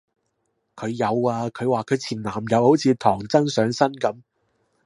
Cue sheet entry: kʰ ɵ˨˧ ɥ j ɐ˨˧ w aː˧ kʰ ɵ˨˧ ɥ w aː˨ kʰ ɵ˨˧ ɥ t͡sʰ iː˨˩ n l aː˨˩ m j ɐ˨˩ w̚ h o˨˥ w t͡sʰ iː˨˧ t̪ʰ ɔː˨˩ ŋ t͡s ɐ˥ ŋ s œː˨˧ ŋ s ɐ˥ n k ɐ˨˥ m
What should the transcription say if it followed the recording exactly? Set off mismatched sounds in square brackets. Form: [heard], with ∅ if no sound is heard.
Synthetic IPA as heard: kʰ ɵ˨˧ ɥ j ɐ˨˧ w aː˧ kʰ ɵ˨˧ ɥ w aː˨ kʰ ɵ˨˧ ɥ t͡sʰ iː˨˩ n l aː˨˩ m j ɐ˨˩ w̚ h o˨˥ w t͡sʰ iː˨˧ t̪ʰ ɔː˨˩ ŋ t͡s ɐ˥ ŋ s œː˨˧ ŋ s ɐ˥ n k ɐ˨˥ m